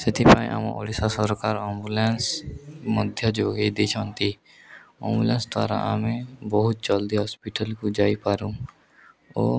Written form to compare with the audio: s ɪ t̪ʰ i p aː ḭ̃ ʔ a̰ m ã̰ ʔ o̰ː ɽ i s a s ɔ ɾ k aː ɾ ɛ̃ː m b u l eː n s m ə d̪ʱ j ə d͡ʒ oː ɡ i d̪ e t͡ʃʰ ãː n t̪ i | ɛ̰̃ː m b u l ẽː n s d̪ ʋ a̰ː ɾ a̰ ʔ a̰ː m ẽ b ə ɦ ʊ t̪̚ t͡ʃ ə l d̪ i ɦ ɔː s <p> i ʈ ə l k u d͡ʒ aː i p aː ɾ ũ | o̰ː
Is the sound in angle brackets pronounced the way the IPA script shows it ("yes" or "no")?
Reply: yes